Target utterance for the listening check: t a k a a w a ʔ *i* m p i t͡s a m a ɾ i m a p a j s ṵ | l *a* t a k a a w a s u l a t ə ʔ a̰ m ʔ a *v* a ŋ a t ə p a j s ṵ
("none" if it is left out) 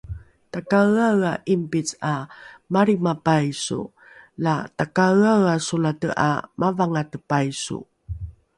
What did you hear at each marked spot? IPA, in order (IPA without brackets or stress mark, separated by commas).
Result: i, a, v